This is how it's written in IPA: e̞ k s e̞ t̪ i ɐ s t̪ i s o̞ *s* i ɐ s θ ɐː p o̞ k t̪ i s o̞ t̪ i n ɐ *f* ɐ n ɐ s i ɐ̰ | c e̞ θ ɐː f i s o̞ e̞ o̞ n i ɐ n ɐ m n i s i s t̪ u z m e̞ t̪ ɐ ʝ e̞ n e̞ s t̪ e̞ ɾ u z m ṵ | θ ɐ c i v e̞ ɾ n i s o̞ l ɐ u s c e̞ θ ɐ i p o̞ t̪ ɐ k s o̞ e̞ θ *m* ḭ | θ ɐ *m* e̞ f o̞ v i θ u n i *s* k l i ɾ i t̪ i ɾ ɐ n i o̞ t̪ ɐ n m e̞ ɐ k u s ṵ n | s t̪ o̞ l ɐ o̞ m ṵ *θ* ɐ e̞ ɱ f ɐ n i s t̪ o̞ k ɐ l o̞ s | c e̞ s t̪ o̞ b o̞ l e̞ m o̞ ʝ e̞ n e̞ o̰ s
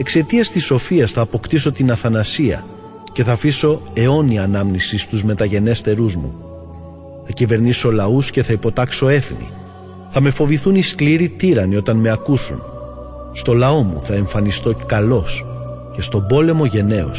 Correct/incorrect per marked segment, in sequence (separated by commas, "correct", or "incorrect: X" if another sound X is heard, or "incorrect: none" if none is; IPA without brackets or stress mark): incorrect: f, incorrect: θ, incorrect: n, correct, correct, correct